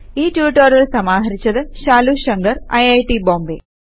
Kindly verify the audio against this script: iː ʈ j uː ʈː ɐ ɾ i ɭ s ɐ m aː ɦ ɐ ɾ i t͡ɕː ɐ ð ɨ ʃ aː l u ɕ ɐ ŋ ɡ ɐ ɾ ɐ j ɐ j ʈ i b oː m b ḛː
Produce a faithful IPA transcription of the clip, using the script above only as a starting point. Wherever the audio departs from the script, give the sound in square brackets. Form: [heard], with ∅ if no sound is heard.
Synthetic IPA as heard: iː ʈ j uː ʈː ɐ ɾ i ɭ s ɐ m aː ɦ ɐ ɾ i t͡ɕː ɐ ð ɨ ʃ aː l u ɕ ɐ ŋ ɡ ɐ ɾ ɐ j ɐ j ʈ i b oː m b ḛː